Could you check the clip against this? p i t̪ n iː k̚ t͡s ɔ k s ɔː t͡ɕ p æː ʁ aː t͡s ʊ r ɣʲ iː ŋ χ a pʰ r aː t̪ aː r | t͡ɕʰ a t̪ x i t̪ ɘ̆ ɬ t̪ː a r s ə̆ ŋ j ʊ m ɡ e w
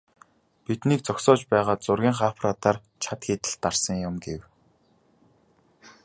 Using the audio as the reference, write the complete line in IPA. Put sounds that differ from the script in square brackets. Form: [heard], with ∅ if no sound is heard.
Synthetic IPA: p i t̪ n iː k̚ t͡s ɔ k s ɔː t͡ɕ p æː ʁ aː t͡s ʊ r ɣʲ iː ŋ χ a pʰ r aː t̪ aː r | t͡ɕʰ a t̪ x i t̪ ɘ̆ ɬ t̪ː a r s ə̆ ŋ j ʊ m ɡ e w